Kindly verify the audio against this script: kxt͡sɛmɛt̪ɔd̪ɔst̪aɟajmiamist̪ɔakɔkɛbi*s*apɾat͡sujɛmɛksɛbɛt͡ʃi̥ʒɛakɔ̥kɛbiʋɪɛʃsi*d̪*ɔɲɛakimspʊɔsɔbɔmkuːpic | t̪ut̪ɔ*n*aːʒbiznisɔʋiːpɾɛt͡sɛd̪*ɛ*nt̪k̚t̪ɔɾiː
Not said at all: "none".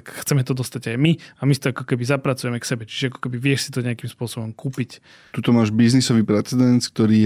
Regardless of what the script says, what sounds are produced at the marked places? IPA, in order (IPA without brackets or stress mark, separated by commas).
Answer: z, t̪, m, ɛ